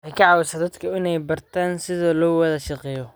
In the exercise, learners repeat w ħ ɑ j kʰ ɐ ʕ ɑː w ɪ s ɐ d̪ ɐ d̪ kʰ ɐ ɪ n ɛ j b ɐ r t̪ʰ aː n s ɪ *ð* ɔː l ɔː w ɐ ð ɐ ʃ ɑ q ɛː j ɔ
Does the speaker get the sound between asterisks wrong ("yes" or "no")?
no